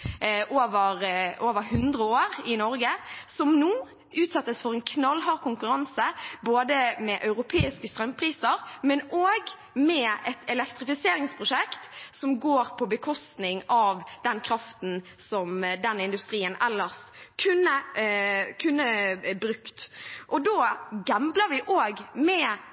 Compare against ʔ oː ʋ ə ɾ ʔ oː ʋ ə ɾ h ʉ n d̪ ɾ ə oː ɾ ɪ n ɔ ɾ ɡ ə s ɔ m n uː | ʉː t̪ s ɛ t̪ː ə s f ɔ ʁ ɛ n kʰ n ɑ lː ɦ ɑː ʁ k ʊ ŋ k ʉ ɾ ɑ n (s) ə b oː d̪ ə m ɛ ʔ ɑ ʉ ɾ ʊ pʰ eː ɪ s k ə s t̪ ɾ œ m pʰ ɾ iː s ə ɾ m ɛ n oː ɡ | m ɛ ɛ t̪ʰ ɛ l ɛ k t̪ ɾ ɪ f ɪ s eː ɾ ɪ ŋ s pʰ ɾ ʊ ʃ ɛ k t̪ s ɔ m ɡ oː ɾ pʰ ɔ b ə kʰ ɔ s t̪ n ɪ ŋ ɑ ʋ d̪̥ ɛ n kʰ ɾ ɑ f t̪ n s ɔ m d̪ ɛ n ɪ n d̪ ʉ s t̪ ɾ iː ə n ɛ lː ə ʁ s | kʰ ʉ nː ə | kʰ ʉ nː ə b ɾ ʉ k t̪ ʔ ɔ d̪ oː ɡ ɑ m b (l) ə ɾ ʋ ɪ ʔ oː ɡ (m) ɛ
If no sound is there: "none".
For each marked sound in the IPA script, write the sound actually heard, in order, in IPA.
s, l, m

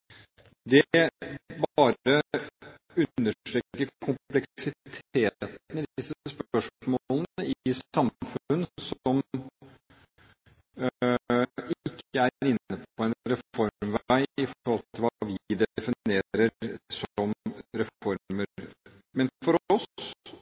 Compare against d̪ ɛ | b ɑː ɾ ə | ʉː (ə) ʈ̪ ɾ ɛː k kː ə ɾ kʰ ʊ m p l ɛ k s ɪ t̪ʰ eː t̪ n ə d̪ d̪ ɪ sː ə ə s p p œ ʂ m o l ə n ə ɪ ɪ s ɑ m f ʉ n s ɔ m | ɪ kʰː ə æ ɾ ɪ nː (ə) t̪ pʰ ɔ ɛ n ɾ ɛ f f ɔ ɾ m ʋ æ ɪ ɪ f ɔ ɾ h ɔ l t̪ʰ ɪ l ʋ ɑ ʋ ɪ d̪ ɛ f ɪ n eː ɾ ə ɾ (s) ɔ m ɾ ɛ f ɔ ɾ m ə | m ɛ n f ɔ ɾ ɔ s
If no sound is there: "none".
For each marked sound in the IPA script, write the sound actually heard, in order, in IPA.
ə, ə, s

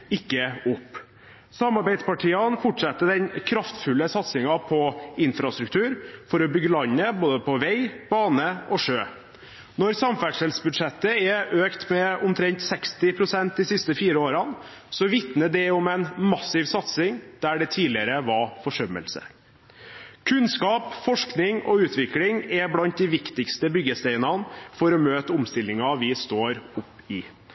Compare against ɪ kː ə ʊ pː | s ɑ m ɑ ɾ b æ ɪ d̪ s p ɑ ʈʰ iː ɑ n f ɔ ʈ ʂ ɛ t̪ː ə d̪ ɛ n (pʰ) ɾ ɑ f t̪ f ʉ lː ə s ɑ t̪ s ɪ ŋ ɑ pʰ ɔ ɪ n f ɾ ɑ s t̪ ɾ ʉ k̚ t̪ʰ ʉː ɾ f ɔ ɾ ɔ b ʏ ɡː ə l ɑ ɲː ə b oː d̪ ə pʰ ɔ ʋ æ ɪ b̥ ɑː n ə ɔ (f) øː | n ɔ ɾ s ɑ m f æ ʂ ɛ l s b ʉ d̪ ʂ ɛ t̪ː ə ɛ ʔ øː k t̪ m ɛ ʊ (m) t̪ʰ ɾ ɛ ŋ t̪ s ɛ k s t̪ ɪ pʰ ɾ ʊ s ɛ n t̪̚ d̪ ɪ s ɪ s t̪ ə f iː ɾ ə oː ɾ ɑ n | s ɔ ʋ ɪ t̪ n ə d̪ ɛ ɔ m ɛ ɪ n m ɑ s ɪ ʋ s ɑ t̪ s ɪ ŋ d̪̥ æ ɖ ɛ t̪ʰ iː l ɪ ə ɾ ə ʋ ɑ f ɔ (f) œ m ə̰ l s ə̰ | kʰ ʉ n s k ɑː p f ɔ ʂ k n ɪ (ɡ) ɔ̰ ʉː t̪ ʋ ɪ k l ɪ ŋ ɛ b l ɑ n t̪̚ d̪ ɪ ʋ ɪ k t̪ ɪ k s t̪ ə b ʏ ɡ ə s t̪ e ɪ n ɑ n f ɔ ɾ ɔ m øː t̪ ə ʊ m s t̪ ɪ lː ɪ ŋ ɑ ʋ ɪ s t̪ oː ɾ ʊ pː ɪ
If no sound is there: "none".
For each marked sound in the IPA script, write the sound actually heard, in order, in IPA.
kʰ, ʂ, m, ʂ, ŋ

